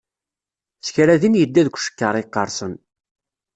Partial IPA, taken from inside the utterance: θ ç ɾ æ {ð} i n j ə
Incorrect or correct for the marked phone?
correct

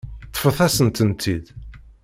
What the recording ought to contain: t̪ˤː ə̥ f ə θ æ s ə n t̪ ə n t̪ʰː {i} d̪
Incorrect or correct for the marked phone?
correct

